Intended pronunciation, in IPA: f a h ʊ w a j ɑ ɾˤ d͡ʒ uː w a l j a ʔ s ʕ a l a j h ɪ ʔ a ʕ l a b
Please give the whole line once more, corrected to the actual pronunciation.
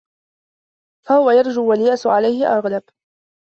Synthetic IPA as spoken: f a h ʊ w a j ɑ ɾˤ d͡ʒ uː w a l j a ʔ s ʕ a l a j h ɪ ʔ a ɣ l a b